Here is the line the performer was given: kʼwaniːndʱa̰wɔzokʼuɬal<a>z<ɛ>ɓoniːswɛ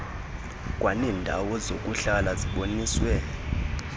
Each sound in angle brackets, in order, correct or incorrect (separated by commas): correct, incorrect